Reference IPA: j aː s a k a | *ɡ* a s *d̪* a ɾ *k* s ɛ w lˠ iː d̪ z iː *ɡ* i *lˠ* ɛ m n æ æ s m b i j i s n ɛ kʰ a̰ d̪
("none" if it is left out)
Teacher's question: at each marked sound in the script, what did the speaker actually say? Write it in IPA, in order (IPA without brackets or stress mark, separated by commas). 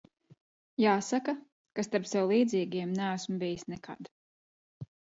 k, t̪, p, ɡ, none